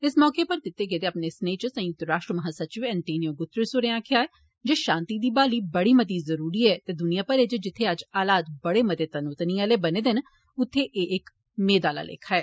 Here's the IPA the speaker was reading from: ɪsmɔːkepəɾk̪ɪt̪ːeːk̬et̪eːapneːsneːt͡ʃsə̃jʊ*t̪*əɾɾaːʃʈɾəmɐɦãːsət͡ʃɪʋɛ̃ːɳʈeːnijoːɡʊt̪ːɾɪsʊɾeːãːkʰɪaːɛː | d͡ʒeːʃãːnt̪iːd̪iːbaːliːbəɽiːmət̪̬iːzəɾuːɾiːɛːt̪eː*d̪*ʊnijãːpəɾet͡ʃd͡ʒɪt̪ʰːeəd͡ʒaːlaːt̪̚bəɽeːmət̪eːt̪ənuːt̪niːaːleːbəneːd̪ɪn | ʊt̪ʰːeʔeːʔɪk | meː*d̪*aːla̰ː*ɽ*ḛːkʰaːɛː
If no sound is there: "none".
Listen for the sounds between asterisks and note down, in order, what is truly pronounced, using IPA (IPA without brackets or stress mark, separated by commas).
t̪, d̪, d̪, l